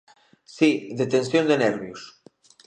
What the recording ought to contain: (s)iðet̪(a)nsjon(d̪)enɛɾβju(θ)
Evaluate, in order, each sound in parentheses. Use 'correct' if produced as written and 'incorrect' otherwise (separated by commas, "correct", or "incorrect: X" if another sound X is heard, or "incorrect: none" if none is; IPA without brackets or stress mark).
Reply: correct, incorrect: e, correct, incorrect: s